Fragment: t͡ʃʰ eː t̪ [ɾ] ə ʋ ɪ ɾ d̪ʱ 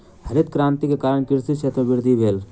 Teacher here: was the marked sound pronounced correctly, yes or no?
yes